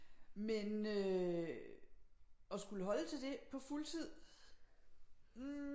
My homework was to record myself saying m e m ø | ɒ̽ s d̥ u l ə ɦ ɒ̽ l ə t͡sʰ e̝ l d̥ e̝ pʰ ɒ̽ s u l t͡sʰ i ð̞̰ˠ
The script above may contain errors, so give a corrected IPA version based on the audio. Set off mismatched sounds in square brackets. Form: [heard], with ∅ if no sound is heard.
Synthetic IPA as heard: m e [n] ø | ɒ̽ s [ɡ̥] u l ə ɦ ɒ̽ l ə t͡sʰ e̝ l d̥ e̝ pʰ ɒ̽ [f] u l t͡sʰ i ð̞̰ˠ